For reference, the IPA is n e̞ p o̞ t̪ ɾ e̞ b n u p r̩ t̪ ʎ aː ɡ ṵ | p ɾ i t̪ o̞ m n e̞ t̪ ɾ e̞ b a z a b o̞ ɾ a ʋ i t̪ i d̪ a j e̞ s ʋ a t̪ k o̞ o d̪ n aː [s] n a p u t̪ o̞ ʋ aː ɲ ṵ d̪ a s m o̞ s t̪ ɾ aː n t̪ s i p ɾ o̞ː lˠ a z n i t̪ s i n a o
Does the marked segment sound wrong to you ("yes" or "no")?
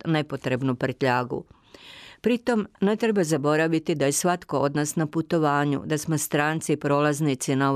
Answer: no